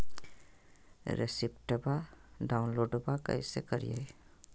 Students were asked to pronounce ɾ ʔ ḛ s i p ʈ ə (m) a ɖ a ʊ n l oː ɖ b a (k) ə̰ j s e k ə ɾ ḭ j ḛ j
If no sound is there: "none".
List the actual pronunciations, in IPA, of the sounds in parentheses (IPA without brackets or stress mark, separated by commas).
b, k